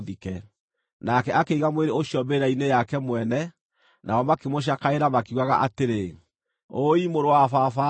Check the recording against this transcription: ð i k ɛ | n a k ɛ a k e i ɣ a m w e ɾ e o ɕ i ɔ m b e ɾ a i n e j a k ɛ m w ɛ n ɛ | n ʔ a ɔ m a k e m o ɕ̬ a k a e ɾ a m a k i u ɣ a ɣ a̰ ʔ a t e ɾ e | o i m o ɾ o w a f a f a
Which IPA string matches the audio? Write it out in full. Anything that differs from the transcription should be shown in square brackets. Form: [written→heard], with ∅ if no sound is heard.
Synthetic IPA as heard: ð i k ɛ | n a k ɛ a k e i ɣ a m w e ɾ e o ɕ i ɔ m b e ɾ a i n e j a k ɛ m w ɛ n ɛ | n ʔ a ɔ m a k e m o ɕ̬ a k a e ɾ a m a k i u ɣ a ɣ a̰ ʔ a t e ɾ e | o i m o ɾ o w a f a f a